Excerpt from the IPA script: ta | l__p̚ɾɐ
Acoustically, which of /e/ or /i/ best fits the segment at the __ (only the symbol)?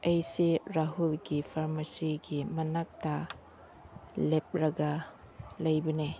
e